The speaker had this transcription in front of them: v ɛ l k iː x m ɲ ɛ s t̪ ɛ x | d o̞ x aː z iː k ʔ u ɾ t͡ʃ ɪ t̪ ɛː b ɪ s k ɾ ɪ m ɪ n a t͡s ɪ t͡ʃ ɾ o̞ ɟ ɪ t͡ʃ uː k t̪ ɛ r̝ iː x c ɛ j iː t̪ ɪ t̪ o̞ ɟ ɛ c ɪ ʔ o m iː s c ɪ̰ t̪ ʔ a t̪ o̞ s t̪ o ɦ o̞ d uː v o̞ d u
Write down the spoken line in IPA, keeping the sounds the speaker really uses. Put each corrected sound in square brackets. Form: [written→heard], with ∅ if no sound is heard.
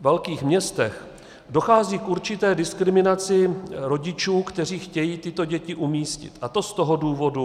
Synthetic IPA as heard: v ɛ l k iː x m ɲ ɛ s t̪ ɛ x | d o̞ x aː z iː k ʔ u ɾ t͡ʃ ɪ t̪ ɛː [b→d] ɪ s k ɾ ɪ m ɪ n a t͡s ɪ [t͡ʃ→∅] ɾ o̞ ɟ ɪ t͡ʃ uː k t̪ ɛ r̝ iː x c ɛ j iː t̪ ɪ t̪ o̞ ɟ ɛ c ɪ ʔ [o→u] m iː s c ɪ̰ t̪ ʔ a t̪ o̞ s t̪ o ɦ o̞ d uː v o̞ d u